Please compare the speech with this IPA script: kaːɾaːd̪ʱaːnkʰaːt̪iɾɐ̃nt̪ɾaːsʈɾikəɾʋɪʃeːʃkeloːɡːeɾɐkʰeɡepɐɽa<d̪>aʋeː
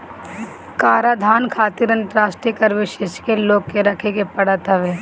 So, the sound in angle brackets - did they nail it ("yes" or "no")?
no